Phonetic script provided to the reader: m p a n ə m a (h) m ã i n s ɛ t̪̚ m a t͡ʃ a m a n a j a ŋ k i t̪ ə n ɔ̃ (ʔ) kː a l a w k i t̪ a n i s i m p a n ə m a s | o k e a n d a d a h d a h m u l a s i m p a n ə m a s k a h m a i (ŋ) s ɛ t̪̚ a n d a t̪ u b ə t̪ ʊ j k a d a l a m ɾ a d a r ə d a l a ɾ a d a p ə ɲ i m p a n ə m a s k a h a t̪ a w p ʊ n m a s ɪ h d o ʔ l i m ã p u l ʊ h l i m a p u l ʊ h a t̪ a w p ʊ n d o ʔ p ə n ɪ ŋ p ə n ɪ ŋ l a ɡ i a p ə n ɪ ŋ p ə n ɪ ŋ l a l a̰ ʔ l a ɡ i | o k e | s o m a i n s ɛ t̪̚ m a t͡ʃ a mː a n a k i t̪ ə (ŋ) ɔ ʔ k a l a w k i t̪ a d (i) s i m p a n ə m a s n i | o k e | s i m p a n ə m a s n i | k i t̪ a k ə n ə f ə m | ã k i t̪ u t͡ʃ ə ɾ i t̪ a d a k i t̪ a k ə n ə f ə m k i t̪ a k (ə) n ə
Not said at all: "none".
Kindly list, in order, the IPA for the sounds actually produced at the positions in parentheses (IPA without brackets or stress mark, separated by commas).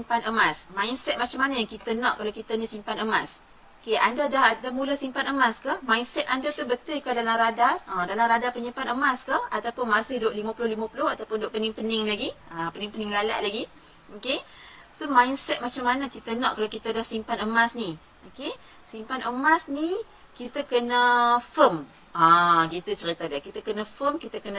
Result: s, ʔ, n, n, a, ə